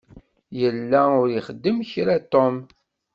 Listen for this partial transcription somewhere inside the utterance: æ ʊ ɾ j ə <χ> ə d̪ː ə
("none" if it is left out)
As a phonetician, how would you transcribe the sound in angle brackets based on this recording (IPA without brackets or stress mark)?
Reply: χ